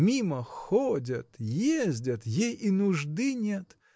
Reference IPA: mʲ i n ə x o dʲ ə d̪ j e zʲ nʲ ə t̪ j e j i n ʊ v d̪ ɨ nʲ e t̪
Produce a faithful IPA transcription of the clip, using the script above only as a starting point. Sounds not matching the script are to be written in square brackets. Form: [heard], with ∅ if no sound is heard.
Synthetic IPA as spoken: mʲ i [m] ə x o dʲ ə [t̪] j e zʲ [dʲ] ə t̪ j e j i n ʊ [ʐ] d̪ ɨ nʲ e t̪